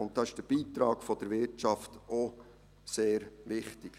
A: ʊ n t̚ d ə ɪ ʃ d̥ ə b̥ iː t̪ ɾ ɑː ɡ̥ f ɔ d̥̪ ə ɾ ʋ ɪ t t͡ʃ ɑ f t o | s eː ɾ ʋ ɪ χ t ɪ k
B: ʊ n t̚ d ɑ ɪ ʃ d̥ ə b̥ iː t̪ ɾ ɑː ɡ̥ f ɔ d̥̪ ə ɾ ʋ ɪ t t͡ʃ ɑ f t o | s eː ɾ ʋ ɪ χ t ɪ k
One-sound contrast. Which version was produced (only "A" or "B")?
B